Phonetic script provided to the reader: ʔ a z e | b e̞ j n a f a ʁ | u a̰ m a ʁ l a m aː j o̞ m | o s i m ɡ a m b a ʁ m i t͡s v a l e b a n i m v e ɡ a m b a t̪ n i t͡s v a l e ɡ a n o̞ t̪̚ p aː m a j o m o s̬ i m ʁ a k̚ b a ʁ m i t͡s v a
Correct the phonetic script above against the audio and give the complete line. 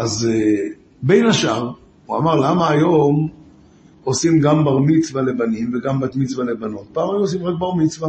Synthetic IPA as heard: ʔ a z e | b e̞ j n a ʃ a ʁ | u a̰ m a ʁ l a m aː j o̞ m | o s i m ɡ a m b a ʁ m i t͡s v a l e b a n i m v e ɡ a m b a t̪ m i t͡s v a l e b a n o̞ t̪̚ p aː m a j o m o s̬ i m ʁ a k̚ b a ʁ m i t͡s v a